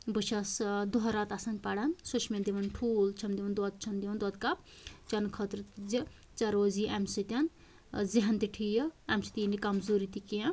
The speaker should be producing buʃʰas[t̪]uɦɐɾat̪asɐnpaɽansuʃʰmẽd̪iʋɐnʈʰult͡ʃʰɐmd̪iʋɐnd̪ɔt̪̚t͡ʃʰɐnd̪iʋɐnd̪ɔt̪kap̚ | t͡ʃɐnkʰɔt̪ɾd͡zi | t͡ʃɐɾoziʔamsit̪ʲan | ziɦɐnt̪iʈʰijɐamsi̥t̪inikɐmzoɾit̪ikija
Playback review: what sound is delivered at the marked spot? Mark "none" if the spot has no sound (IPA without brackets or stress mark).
d̪